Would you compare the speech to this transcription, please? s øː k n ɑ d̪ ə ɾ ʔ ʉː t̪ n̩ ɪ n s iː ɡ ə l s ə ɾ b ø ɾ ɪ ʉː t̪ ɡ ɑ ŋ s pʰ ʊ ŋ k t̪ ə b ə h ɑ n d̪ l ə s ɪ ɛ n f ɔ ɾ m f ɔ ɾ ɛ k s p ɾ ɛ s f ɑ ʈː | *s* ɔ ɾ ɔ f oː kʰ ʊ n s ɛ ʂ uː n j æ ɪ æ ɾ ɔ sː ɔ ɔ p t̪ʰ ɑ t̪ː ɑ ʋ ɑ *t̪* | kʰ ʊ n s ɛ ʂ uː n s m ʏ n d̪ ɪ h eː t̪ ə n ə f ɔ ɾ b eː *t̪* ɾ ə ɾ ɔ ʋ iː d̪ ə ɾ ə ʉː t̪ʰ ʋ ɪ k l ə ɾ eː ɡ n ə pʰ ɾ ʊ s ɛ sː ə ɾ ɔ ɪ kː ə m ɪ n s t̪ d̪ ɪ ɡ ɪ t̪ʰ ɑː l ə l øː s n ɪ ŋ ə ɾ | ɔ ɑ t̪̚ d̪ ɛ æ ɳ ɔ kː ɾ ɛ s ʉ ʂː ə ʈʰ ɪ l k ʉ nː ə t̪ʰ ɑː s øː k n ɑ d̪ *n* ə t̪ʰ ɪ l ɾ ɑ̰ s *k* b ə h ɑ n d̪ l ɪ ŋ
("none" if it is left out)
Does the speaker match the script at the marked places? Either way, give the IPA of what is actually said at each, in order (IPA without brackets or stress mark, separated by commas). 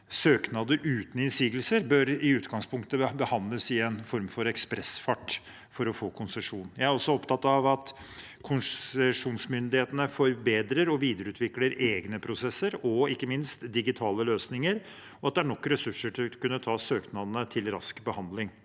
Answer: f, t̪, d̪, n, k